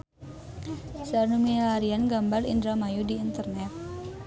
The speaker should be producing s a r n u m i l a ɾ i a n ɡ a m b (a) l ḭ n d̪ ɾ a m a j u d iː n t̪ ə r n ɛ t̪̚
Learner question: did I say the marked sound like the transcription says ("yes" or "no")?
yes